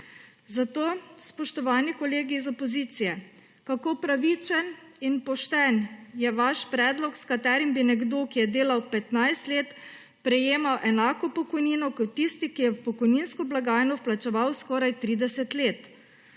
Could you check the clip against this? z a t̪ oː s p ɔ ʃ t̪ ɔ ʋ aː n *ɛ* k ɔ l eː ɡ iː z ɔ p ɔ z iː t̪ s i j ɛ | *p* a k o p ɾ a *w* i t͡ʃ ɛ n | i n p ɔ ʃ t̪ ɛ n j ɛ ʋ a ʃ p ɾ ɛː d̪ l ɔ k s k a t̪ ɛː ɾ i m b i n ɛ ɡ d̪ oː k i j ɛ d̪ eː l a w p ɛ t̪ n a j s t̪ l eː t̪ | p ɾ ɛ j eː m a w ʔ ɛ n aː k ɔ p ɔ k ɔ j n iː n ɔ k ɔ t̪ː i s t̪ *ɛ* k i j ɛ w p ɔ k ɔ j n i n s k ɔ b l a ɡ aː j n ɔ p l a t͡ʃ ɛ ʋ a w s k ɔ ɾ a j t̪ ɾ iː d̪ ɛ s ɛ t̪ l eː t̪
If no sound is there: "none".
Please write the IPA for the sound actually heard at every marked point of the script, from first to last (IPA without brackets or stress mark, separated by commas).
i, k, ʋ, i